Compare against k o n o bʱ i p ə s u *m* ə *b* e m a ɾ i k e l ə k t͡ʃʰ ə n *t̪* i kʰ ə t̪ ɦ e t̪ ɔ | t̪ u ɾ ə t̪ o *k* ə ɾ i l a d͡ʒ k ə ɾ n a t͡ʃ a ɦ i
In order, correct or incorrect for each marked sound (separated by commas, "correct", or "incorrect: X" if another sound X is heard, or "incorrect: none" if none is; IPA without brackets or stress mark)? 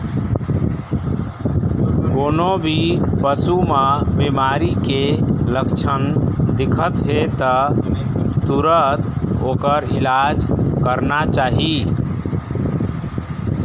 correct, correct, incorrect: d̪, correct